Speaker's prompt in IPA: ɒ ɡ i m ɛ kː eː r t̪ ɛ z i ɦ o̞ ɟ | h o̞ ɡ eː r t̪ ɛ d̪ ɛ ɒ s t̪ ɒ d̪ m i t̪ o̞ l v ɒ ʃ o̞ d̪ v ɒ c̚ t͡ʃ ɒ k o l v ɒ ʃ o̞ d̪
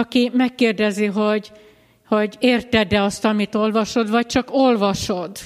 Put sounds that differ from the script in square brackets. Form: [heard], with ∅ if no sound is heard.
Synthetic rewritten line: ɒ [k] i m ɛ kː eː r [d̪] ɛ z i ɦ o̞ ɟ | h o̞ [ɟ] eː r t̪ ɛ d̪ ɛ ɒ s t̪ ɒ [∅] m i t̪ o̞ l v ɒ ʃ o̞ d̪ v ɒ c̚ t͡ʃ ɒ k o l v ɒ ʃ o̞ d̪